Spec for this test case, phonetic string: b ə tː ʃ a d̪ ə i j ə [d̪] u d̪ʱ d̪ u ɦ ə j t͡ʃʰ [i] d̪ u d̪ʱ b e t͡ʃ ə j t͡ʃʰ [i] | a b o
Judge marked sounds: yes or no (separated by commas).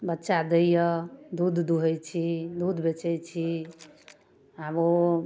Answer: yes, yes, yes